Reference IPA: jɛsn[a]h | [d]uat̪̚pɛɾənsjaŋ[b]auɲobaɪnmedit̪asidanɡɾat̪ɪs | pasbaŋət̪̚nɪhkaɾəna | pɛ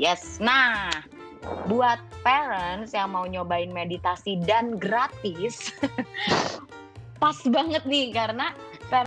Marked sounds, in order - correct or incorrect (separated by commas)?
correct, incorrect, incorrect